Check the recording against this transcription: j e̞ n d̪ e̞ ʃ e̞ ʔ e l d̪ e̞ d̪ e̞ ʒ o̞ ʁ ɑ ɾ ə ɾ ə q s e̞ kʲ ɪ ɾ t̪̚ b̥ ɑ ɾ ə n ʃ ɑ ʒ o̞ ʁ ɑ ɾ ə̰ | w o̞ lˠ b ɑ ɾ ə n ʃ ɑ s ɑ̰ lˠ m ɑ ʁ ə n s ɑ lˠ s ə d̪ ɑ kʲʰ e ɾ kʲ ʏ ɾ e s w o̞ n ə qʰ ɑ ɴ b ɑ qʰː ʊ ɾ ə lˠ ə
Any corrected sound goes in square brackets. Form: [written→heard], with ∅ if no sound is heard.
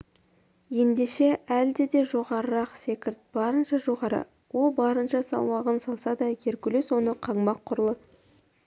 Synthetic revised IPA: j e̞ n d̪ e̞ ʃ e̞ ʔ [e→æ] l d̪ e̞ d̪ e̞ ʒ o̞ ʁ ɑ ɾ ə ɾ [ə→ɑ] q s e̞ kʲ ɪ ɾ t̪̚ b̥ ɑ ɾ ə n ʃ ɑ ʒ o̞ ʁ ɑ ɾ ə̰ | w o̞ lˠ b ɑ ɾ ə n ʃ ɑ s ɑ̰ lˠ m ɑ ʁ ə n s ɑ lˠ s [ə→ɑ] d̪ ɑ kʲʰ e ɾ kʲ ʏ [ɾ→l] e s w o̞ n ə qʰ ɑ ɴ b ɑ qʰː ʊ ɾ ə lˠ ə